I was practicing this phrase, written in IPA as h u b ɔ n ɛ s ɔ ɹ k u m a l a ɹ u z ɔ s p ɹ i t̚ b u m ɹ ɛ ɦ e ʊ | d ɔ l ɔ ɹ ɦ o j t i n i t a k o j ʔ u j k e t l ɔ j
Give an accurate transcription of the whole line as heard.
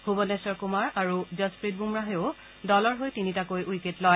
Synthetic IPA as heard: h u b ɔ n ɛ s ɔ ɹ k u m a ɹ a ɹ u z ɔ s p ɹ i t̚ b u m ɹ a ɦ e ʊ | d ɔ l ɔ ɹ ɦ o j t i n i t a k o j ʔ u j k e t l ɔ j